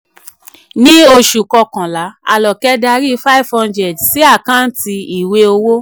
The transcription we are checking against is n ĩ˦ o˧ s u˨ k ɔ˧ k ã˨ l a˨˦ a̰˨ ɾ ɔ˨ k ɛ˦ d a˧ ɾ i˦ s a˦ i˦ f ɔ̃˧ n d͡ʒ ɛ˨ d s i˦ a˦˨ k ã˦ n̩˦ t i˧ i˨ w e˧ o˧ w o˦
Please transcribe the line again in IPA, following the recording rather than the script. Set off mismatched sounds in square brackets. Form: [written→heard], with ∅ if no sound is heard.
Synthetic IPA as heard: n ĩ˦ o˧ [s→ʃ] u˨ k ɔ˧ k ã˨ l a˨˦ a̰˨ [ɾ→l] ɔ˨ k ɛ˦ d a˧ ɾ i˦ [s→f] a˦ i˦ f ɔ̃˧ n d͡ʒ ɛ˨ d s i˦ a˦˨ k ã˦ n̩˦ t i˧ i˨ w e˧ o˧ w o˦